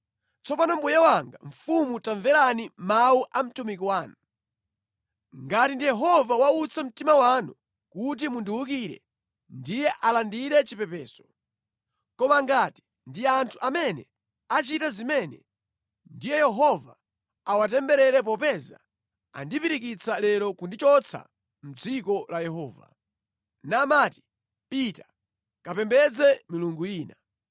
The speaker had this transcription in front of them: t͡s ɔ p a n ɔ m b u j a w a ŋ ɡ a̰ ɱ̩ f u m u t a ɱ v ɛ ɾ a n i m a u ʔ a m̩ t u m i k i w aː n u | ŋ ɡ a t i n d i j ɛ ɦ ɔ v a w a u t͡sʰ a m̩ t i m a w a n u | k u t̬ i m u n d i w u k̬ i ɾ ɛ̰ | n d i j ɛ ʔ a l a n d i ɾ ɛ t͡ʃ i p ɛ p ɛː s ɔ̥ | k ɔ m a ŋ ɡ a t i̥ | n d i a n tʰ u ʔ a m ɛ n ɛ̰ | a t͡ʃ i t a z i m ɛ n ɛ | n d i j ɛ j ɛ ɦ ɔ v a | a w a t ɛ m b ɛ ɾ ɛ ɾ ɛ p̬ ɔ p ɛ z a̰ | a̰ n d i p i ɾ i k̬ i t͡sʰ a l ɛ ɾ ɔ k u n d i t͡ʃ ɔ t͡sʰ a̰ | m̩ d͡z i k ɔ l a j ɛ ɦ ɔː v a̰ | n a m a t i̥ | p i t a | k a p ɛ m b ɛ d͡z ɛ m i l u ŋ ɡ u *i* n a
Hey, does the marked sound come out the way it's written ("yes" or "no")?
no